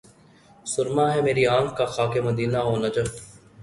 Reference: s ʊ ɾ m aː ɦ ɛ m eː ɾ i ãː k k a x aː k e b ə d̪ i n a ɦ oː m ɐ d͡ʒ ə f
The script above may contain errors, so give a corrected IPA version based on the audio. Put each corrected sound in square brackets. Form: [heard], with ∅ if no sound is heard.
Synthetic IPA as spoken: s ʊ ɾ m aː ɦ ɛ m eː ɾ i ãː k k a x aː k e [m] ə d̪ [iː] n a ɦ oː [n] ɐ d͡ʒ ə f